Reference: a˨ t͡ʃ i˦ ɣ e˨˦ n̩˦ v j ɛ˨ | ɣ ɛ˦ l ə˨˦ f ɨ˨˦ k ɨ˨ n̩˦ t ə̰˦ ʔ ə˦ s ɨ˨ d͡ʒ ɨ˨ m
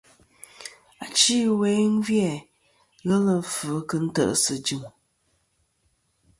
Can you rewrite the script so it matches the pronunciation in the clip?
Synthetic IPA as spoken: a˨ t͡ʃ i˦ w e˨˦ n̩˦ v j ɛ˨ | ɣ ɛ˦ l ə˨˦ f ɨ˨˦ k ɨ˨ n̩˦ t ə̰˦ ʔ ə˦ s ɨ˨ d͡ʒ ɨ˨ m